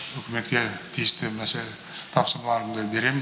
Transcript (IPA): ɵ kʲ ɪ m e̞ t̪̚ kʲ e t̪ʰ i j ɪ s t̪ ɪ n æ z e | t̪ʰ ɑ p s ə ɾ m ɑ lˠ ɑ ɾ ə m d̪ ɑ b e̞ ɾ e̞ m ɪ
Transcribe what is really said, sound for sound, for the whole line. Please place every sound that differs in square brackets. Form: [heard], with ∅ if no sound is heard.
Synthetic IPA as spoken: ɵ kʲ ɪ m e̞ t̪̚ kʲ e t̪ʰ i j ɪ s t̪ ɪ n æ [s] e | t̪ʰ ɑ p s ə ɾ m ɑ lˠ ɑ ɾ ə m d̪ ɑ b e̞ ɾ e̞ m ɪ